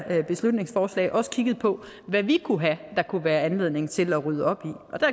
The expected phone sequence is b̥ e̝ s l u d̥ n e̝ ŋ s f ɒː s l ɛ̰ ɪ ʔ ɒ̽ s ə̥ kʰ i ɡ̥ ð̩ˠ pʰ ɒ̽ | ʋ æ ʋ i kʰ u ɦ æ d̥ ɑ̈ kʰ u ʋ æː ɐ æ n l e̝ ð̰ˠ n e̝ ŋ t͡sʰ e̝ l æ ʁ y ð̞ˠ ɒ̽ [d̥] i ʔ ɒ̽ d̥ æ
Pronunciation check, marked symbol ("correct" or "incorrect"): incorrect